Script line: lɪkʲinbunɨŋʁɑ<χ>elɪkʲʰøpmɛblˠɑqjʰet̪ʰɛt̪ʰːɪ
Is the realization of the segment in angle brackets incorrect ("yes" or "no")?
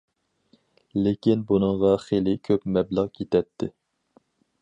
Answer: no